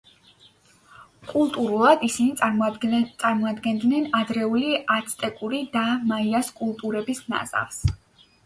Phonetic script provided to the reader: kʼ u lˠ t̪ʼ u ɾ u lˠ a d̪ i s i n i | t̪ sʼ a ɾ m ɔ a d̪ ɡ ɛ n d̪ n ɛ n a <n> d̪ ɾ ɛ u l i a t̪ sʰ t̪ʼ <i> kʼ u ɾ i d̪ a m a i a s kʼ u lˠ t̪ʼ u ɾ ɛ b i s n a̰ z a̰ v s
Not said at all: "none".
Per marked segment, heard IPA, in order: none, ɛ

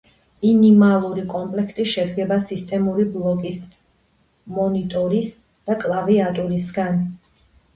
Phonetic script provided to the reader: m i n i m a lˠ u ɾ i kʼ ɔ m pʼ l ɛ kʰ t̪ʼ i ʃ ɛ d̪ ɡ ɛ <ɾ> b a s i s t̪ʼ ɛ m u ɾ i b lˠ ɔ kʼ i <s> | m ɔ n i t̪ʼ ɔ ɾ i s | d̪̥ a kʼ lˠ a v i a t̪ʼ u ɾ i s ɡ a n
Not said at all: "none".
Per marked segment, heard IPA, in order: none, s

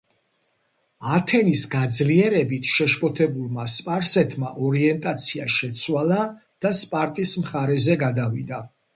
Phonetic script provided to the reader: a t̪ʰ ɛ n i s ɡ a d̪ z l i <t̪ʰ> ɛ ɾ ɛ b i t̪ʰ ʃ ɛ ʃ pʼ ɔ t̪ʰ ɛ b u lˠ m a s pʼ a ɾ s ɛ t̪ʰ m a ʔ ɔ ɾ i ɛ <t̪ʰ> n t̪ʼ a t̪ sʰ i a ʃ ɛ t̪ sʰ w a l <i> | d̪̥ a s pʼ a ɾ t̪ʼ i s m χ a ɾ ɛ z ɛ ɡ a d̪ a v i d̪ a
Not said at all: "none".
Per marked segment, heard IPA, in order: none, none, a

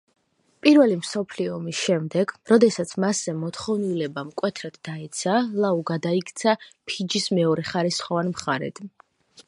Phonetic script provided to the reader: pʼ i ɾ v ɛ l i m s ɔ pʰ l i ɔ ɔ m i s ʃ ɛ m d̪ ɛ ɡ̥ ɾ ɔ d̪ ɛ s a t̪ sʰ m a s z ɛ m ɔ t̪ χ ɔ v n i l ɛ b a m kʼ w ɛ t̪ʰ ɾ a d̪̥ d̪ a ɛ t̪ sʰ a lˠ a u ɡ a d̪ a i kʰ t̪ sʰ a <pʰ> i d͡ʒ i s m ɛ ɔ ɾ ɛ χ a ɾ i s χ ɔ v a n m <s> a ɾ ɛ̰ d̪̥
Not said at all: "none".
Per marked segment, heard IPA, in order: pʰ, χ

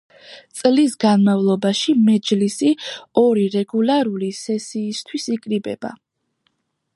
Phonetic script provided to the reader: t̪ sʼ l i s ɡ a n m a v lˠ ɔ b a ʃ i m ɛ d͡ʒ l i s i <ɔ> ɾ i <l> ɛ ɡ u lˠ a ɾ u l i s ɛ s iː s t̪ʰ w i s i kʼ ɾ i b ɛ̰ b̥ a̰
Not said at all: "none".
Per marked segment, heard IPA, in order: ɔ, ɾ

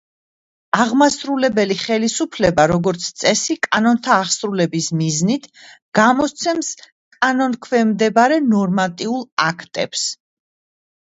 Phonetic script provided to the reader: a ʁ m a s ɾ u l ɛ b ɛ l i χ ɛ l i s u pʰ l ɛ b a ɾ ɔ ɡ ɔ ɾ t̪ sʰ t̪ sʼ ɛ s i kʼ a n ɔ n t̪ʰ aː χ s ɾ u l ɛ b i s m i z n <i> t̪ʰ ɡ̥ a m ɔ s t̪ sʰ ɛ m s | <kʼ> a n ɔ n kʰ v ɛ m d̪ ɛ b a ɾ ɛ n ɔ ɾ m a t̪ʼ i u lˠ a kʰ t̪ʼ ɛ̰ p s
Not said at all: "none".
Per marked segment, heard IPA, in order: i, kʼ

